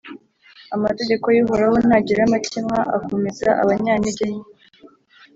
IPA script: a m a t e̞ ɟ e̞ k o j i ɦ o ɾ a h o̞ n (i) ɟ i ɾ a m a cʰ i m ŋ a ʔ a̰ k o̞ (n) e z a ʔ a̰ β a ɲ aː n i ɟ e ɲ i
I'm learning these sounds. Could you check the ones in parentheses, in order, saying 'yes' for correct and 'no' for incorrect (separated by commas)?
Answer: no, no